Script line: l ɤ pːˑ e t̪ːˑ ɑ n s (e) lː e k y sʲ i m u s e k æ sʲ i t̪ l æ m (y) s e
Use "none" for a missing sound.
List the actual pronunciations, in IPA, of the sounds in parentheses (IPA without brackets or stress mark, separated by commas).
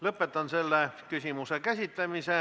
e, i